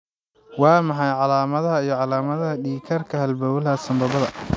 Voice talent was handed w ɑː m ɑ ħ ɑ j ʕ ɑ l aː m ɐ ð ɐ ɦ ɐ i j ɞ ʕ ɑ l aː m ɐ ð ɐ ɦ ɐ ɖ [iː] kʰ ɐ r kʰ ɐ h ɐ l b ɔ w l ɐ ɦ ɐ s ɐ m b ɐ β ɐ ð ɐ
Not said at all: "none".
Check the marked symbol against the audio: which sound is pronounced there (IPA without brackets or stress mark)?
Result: iː